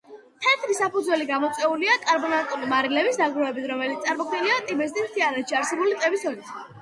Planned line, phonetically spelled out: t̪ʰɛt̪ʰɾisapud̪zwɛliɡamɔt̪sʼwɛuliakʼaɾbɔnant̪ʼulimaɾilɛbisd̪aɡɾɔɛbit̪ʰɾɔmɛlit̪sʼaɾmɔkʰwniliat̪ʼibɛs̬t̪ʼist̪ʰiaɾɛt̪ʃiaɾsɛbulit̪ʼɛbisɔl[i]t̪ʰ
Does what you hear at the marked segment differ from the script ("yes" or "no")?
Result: no